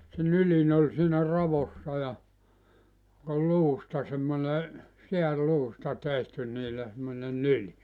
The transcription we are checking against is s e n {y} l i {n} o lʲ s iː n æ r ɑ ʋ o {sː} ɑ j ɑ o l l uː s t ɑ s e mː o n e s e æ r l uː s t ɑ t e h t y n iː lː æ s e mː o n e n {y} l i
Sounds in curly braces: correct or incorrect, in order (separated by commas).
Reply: correct, correct, correct, correct